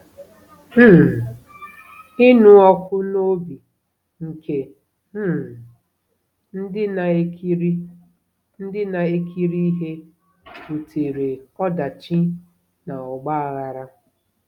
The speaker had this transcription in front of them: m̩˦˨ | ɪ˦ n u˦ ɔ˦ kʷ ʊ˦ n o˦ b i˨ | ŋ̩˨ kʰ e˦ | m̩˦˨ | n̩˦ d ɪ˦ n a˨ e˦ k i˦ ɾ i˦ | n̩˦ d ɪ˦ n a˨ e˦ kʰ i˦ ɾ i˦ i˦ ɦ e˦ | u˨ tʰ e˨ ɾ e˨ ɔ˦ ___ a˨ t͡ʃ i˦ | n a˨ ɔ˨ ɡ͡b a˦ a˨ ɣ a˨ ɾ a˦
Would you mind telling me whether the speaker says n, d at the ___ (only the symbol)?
d